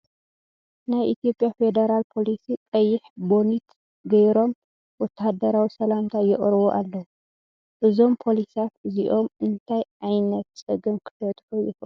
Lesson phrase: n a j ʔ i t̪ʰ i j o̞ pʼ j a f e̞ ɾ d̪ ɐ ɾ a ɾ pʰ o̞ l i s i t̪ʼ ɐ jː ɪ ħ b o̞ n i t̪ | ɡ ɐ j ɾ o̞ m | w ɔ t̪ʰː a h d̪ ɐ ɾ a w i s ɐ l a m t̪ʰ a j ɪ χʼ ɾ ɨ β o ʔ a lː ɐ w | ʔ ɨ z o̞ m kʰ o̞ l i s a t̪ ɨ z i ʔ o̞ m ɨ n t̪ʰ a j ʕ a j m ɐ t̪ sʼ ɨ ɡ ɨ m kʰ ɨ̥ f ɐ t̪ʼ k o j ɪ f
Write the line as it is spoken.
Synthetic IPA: n a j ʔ i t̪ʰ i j o̞ pʼ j a f e̞ d̪ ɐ ɾ a l pʰ o̞ l i s i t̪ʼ ɐ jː ɪ ħ b o̞ n i t̪ | ɡ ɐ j ɾ o̞ m | w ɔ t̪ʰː a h d̪ ɐ ɾ a w i s ɐ l a m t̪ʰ a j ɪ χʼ ɾ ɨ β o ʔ a lː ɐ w | ʔ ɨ z o̞ m pʰ o̞ l i s a t̪ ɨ z i ʔ o̞ m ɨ n t̪ʰ a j ʕ a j n ɐ t̪ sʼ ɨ ɡ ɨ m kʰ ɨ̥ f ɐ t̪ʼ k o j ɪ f